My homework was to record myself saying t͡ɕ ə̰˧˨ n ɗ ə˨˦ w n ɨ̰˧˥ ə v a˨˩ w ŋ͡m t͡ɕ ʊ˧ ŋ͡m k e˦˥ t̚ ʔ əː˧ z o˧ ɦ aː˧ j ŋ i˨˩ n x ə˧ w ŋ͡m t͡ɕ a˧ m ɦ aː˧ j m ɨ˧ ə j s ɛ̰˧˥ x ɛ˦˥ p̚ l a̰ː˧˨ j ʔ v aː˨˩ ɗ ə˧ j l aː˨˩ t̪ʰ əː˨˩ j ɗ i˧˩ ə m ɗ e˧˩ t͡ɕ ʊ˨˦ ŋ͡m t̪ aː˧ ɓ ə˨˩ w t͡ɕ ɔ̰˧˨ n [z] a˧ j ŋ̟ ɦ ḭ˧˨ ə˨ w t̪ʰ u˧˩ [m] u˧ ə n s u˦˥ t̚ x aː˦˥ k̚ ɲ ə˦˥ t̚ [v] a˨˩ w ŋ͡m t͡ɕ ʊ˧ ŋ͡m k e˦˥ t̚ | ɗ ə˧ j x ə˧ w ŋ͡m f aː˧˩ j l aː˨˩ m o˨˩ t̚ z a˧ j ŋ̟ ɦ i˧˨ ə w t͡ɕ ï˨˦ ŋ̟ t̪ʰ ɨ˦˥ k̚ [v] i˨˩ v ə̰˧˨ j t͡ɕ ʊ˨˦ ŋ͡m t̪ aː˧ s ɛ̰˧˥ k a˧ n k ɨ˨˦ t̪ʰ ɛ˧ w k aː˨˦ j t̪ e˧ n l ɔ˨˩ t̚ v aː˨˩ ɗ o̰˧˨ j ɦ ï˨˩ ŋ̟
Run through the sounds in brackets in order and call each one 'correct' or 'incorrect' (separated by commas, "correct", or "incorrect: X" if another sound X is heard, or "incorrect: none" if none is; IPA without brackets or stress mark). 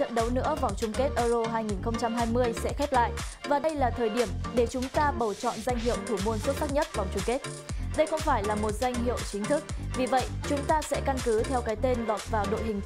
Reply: correct, correct, correct, correct